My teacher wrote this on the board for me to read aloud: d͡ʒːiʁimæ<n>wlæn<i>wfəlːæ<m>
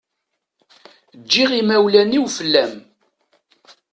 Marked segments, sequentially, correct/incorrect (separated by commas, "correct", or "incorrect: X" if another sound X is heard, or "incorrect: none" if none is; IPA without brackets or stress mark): incorrect: none, correct, correct